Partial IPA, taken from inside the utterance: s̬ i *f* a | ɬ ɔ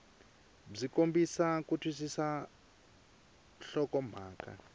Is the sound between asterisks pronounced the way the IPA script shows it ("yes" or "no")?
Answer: no